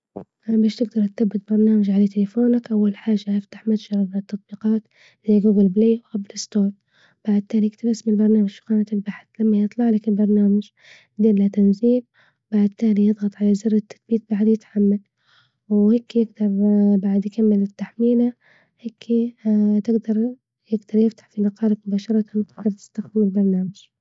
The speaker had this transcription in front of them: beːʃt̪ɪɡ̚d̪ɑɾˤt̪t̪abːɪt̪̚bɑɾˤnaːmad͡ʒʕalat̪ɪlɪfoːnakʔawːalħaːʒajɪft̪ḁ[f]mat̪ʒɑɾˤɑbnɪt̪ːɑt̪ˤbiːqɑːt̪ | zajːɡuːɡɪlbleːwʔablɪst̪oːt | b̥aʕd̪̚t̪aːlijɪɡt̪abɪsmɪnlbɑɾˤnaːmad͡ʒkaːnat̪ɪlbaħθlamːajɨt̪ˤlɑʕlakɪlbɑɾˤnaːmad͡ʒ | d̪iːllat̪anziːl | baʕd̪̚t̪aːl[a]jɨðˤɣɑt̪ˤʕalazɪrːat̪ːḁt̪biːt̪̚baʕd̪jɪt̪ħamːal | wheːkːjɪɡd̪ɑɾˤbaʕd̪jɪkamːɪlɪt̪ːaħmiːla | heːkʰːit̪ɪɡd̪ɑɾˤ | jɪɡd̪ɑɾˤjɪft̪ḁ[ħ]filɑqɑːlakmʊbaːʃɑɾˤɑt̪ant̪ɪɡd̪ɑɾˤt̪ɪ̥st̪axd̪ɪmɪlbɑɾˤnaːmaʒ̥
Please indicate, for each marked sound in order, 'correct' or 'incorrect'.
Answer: incorrect, incorrect, correct

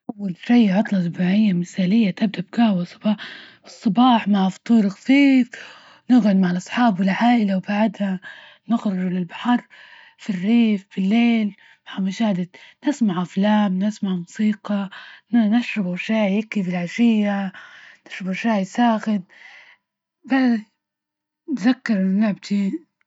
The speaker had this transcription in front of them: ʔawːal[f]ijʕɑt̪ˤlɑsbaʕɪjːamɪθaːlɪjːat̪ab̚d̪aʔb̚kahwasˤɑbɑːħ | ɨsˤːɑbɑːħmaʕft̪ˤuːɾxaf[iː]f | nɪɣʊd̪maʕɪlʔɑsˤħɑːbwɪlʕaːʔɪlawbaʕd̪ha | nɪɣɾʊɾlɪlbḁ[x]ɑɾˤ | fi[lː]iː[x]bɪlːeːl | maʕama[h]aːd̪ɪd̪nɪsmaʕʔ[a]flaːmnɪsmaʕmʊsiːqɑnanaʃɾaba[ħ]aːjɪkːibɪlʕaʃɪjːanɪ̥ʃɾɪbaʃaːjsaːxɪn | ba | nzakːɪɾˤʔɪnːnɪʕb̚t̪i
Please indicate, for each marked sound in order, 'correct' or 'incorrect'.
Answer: incorrect, correct, incorrect, incorrect, incorrect, incorrect, correct, incorrect

